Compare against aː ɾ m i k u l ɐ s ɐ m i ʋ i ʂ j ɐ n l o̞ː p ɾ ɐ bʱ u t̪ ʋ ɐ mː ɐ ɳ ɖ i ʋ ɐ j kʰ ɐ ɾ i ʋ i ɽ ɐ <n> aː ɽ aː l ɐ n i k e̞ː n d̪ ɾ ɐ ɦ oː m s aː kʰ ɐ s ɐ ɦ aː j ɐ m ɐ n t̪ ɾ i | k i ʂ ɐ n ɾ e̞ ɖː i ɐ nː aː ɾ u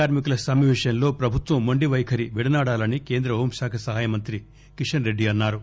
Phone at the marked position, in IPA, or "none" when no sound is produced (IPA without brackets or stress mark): n